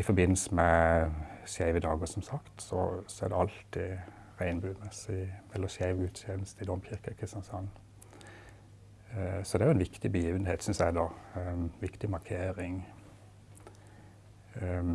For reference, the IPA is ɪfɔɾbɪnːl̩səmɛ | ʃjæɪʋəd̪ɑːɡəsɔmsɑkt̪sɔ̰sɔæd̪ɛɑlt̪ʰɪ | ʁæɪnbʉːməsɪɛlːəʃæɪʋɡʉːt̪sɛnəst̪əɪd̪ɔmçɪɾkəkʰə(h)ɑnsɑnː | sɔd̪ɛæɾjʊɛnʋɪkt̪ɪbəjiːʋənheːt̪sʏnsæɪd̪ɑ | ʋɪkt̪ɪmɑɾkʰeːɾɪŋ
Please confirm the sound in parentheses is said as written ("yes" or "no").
no